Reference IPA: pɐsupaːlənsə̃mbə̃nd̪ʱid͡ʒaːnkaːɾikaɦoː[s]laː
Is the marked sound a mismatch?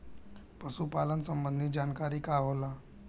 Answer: yes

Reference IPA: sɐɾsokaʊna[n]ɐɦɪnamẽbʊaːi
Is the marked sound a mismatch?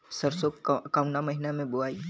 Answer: yes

